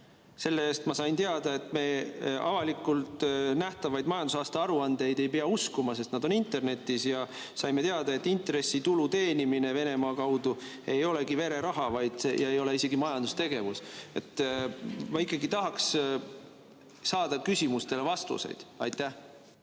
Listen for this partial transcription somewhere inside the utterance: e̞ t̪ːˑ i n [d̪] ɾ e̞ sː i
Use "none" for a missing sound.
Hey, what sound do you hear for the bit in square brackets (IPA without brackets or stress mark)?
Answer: t̪